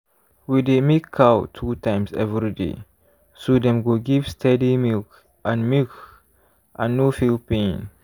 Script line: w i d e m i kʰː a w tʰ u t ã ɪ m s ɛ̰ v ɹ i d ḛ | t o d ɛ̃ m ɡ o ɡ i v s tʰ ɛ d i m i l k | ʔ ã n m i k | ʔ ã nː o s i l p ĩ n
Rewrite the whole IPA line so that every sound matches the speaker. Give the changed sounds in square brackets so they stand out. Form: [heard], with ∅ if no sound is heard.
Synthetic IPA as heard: w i d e m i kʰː a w tʰ u t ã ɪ m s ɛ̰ v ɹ i d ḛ | [s] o d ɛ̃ m ɡ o ɡ i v s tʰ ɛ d i m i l k | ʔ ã n m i k | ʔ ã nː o [f] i l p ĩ n